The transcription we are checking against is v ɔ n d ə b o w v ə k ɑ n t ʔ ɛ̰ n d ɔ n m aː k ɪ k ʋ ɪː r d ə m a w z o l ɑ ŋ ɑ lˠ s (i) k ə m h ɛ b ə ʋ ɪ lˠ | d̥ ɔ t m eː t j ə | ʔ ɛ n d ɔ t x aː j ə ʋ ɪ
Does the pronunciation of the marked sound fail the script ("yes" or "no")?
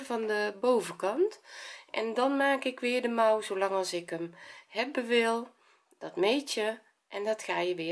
yes